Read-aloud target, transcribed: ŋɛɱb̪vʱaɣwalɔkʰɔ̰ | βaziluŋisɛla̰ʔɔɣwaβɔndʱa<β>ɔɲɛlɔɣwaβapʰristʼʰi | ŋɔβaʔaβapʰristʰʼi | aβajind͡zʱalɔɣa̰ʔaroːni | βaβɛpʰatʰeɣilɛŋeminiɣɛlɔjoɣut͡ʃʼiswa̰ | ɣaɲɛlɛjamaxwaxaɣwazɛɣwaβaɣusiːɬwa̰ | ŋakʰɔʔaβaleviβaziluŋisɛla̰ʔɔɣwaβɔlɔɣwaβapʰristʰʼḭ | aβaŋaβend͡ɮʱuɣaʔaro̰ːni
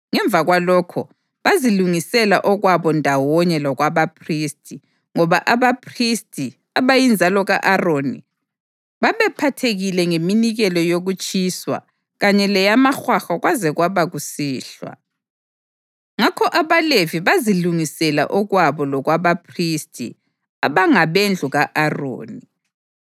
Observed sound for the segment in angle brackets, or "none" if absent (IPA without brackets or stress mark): w